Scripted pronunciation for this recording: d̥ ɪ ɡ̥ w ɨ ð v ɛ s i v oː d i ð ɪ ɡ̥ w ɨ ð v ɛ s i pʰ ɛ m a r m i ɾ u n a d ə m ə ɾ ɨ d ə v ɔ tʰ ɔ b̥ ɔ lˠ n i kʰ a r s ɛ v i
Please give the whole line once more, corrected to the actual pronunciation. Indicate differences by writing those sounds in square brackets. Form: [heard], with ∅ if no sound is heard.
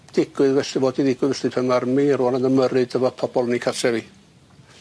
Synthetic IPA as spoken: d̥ ɪ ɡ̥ w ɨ ð v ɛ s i v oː d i ð ɪ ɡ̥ w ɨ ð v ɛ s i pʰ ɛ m a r m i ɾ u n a [n] ə m ə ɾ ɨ d ə v ɔ [pʰ] ɔ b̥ ɔ lˠ n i kʰ a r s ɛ v i